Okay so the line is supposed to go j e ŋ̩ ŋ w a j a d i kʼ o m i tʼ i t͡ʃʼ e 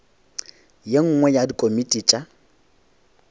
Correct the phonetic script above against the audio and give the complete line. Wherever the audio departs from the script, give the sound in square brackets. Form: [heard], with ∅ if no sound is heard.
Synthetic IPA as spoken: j e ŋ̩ ŋ w [ɛ] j a d i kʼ o m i tʼ i t͡ʃʼ [a]